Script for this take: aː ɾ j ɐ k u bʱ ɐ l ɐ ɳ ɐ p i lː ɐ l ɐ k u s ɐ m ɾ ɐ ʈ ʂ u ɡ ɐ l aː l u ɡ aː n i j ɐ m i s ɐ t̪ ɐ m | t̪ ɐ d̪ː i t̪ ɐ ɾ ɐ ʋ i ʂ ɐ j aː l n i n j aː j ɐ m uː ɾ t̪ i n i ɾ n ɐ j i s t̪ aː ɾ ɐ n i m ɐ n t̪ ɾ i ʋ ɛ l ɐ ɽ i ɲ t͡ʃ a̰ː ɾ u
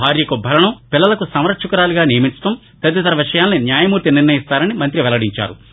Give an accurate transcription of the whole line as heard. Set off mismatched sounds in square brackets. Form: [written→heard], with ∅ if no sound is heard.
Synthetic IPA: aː ɾ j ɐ k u bʱ ɐ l ɐ ɳ ɐ p i lː ɐ l ɐ k u s ɐ m ɾ ɐ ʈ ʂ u [ɡ→k] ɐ [l→ɾ] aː l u ɡ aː n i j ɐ m i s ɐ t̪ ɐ m | t̪ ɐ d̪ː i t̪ ɐ ɾ ɐ ʋ i ʂ ɐ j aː l n i n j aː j ɐ m uː ɾ t̪ i n i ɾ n ɐ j i s t̪ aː ɾ ɐ n i m ɐ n t̪ ɾ i ʋ ɛ l ɐ ɽ i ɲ t͡ʃ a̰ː ɾ u